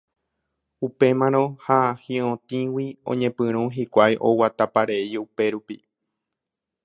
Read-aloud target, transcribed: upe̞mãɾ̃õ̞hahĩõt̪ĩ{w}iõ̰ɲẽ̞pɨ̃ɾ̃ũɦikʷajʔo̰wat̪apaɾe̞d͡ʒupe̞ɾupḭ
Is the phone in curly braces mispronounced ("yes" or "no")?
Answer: no